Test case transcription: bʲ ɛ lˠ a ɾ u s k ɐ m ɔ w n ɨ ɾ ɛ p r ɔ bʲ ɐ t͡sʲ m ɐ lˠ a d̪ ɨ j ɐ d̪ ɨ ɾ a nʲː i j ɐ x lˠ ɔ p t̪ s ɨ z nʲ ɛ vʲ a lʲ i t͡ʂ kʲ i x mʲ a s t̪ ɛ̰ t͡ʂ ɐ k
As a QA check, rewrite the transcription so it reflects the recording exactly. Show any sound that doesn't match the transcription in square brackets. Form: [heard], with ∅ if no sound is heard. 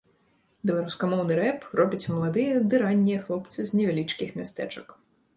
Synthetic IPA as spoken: bʲ ɛ lˠ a ɾ u s k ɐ m ɔ w n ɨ ɾ ɛ p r ɔ bʲ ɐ t͡sʲ m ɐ lˠ a d̪ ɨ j ɐ d̪ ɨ ɾ a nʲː i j ɐ x lˠ ɔ p t̪ s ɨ z nʲ ɛ vʲ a lʲ i t͡ʂ kʲ i x mʲ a s t̪ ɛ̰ t͡ʂ ɐ k